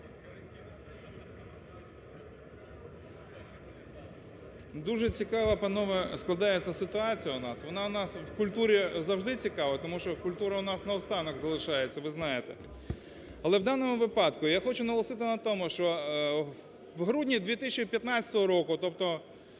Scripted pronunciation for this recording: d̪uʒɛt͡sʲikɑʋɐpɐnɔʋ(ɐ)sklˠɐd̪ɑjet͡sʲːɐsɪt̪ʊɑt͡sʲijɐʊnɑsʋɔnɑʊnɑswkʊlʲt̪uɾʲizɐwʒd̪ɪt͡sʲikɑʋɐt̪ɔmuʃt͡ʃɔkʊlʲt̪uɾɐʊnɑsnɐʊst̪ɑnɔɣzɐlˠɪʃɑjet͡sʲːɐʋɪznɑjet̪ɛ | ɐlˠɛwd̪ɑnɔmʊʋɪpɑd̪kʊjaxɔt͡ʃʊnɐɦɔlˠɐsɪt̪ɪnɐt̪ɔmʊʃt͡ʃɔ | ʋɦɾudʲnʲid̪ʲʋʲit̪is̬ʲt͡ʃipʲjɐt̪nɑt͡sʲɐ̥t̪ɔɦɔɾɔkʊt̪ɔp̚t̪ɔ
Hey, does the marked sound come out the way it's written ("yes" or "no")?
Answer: yes